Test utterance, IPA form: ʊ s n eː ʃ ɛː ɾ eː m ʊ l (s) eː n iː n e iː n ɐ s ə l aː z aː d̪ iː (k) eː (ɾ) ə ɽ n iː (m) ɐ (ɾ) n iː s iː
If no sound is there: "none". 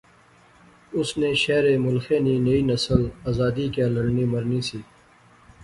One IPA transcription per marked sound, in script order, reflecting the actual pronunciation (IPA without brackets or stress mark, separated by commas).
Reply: x, k, l, m, ɾ